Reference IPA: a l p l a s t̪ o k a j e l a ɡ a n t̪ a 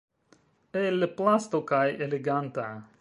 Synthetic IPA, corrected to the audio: e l p l a s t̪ o k a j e l e ɡ a n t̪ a